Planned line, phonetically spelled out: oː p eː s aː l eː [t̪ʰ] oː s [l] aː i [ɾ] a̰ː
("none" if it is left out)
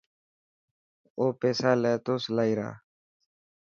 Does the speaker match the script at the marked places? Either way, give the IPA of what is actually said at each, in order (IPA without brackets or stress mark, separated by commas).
t̪, l, ɾ